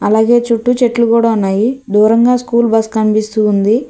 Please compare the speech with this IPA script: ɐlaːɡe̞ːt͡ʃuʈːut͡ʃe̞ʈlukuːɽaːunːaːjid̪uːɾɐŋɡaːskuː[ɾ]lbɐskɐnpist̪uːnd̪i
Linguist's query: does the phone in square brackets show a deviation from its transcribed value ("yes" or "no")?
yes